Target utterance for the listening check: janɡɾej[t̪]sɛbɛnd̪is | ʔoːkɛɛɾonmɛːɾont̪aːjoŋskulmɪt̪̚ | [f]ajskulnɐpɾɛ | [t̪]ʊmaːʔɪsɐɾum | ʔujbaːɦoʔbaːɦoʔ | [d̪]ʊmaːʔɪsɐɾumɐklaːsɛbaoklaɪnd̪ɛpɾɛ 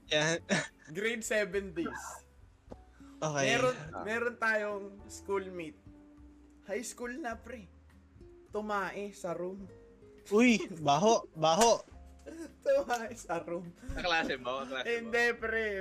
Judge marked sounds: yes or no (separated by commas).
no, no, yes, no